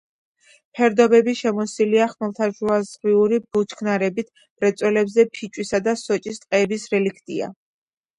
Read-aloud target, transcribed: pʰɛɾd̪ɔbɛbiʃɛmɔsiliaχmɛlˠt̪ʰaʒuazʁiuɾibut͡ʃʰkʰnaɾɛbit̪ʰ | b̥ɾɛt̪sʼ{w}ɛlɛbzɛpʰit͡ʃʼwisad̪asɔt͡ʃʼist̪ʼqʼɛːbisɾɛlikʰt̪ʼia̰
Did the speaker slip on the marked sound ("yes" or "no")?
no